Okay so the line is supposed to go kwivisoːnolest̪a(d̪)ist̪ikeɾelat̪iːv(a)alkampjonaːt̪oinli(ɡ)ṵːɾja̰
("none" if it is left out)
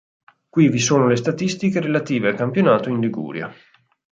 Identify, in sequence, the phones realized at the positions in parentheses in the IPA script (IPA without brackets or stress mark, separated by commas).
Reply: t̪, e, ɡ